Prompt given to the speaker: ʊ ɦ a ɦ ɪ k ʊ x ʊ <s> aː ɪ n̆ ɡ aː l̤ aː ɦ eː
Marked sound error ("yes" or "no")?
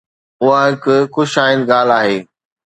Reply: yes